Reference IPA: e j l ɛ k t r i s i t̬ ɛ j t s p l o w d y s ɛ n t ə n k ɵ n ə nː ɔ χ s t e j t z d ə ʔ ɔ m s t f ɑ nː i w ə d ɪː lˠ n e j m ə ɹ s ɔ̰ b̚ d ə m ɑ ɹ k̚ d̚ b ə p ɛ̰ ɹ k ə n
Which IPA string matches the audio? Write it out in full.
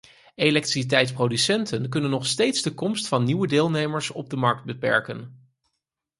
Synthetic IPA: e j l ɛ k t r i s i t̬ ɛ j t s p r o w d y s ɛ n t ə n k ɵ n ə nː ɔ χ s t e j t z d ə k ɔ m s t f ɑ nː i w ə d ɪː lˠ n e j m ə ɹ s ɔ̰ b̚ d ə m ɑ ɹ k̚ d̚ b ə p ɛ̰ ɹ k ə n